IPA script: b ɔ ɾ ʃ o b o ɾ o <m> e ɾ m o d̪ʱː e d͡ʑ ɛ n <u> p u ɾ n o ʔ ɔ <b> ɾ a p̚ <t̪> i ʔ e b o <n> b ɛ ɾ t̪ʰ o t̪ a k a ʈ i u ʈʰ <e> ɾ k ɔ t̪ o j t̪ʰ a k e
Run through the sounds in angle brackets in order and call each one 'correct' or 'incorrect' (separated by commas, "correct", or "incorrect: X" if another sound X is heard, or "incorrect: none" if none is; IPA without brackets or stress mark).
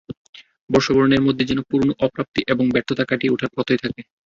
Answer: incorrect: n, incorrect: o, incorrect: p, correct, incorrect: ŋ, incorrect: a